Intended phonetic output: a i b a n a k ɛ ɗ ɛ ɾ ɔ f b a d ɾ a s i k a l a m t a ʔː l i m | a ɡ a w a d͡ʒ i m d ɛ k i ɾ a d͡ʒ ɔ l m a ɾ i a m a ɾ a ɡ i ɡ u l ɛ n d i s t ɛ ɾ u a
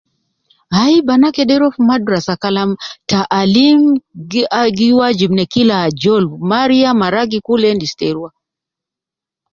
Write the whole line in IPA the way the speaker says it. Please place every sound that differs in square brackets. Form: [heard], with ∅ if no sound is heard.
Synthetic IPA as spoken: a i b a n a k ɛ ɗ ɛ ɾ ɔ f [m] a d ɾ a s [a] k a l a m t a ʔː l i m | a ɡ [i] w a d͡ʒ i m [n] ɛ k i [l] a d͡ʒ ɔ l m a ɾ i a m a ɾ a ɡ i [k] u l ɛ n d i s t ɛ ɾ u a